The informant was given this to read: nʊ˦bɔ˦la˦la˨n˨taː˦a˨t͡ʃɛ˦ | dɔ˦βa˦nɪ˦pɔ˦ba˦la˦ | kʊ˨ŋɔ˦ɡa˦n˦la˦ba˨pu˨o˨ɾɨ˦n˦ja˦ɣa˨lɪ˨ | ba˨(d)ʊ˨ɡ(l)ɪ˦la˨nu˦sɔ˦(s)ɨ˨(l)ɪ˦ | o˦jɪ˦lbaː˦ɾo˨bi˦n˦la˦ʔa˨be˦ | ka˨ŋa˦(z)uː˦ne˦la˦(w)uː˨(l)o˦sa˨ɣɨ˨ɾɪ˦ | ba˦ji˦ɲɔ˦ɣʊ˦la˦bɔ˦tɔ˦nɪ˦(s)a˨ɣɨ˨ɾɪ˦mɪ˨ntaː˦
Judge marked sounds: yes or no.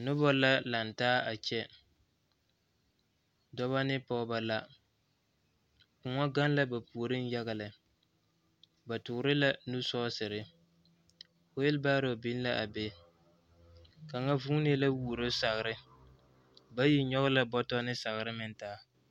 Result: no, no, yes, no, no, yes, no, yes

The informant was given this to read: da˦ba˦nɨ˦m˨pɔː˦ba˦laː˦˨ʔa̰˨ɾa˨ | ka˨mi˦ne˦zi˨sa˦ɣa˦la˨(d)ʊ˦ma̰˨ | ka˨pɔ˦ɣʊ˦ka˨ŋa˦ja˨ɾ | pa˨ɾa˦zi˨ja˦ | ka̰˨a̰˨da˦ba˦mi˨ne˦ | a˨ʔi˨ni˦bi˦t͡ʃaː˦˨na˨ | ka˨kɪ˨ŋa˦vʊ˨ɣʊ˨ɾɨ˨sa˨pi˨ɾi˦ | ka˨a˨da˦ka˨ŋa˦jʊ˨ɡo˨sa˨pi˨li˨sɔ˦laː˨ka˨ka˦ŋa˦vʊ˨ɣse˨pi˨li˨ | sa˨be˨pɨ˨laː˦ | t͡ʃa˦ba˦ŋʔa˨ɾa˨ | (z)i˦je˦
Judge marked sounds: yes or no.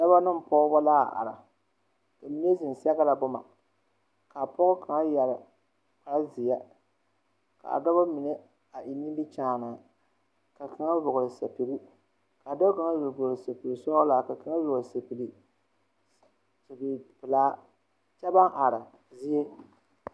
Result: no, yes

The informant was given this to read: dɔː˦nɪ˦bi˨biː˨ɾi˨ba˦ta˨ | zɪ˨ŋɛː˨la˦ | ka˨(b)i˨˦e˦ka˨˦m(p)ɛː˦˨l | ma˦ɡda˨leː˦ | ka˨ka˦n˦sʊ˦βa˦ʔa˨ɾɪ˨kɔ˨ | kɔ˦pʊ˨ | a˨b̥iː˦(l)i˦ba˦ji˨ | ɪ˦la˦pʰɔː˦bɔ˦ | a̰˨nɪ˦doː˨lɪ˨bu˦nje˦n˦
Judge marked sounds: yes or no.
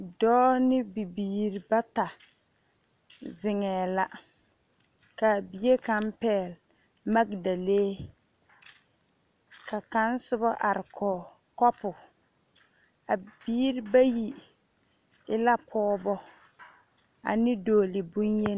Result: yes, yes, no

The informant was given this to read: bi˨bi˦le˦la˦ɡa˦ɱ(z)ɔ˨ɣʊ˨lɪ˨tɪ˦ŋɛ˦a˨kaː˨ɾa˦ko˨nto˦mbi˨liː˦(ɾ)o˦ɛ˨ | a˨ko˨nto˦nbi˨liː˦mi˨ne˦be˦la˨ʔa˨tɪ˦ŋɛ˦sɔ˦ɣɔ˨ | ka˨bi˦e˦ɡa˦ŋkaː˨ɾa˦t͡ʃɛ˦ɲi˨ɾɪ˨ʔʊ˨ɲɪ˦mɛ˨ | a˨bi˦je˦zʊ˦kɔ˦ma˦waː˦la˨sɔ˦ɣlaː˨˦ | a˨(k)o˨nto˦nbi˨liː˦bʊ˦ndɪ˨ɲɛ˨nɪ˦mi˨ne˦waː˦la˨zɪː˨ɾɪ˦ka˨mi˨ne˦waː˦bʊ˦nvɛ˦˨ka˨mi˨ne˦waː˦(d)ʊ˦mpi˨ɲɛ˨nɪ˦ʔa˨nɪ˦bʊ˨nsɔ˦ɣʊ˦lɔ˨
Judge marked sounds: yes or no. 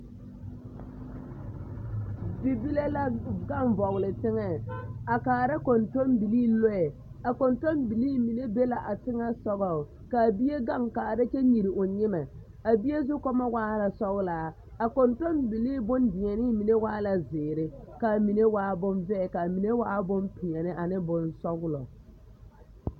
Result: no, no, yes, no

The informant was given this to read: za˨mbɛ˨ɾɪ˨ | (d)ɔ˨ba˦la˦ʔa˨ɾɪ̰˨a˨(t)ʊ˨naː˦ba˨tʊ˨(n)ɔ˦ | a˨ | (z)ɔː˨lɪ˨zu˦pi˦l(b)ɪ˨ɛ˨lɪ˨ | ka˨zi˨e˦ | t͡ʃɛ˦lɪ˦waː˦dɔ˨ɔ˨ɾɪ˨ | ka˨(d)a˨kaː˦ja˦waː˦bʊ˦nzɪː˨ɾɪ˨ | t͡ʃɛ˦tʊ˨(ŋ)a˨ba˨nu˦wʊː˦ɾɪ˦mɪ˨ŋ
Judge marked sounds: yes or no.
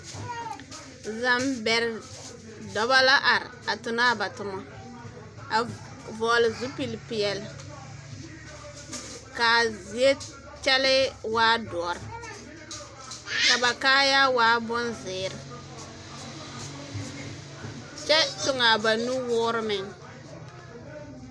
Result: yes, yes, no, no, no, no, yes

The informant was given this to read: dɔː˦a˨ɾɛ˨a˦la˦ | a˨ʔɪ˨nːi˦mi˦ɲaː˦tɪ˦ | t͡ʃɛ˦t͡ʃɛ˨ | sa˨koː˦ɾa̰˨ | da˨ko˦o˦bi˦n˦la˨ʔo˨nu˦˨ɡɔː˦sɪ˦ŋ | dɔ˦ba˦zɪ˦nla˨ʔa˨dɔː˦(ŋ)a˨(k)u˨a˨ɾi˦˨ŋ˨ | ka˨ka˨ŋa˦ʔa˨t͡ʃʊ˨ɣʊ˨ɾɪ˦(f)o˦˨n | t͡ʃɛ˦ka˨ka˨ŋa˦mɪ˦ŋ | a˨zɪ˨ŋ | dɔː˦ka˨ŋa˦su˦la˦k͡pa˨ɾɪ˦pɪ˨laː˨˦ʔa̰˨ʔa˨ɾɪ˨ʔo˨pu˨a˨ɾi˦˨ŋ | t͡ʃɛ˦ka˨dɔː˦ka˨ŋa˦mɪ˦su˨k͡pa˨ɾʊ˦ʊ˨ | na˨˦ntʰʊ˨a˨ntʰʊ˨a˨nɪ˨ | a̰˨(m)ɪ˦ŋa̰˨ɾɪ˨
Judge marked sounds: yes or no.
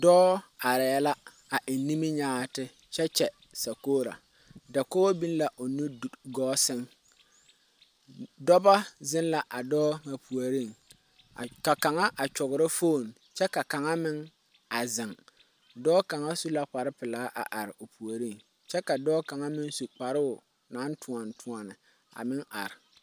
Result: yes, no, yes, yes

